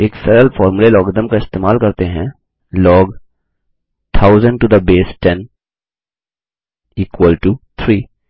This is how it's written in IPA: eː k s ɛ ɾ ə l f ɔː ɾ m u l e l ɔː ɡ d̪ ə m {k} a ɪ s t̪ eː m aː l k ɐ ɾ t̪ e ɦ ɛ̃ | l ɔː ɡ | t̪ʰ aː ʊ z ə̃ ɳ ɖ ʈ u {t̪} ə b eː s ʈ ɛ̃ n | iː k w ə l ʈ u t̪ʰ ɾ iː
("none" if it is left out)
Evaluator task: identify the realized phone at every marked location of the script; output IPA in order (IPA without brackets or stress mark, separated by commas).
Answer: k, d̪